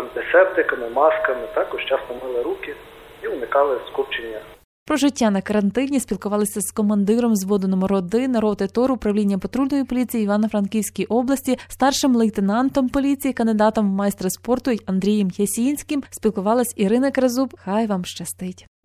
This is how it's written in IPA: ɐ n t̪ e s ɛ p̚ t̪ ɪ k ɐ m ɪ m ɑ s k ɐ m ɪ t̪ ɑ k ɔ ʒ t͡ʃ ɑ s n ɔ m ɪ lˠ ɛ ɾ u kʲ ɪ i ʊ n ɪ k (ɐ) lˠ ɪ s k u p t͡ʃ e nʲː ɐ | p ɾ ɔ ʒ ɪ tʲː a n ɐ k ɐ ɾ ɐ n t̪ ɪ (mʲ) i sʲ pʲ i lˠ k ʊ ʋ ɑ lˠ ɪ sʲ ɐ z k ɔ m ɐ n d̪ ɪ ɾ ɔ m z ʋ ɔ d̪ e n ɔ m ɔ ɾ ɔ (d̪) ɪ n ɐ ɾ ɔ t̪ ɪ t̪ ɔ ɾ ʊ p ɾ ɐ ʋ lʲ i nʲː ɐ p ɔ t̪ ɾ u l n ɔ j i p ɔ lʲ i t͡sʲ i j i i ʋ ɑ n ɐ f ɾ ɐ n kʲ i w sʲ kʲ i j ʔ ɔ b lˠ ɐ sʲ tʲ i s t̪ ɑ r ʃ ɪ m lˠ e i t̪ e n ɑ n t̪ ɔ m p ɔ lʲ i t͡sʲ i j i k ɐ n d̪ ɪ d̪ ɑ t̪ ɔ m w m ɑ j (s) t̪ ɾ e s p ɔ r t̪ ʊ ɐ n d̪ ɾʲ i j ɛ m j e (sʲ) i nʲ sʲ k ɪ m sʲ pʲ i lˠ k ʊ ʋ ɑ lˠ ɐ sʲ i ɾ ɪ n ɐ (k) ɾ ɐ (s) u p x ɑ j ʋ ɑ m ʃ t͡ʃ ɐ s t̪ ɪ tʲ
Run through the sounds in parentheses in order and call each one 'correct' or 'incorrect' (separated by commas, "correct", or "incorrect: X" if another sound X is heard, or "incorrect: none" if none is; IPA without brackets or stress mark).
incorrect: ɑ, incorrect: nʲ, correct, correct, correct, correct, incorrect: z